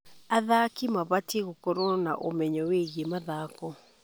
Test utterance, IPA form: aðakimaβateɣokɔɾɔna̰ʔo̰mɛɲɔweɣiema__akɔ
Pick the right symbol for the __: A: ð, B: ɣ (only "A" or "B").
A